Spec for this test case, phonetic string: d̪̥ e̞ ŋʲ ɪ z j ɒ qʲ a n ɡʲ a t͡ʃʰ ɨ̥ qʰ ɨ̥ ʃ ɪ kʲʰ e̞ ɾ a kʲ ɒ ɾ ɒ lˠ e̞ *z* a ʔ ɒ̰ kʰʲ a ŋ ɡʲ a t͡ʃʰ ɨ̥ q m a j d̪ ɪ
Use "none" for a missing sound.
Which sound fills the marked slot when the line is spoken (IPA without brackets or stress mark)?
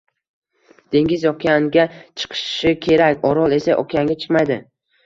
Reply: s